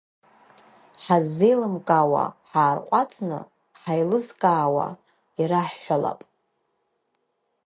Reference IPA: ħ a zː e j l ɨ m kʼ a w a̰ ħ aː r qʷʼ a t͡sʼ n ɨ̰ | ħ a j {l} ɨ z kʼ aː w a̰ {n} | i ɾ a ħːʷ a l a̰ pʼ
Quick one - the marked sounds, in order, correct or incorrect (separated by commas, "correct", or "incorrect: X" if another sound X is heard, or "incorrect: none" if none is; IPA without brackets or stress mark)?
correct, incorrect: none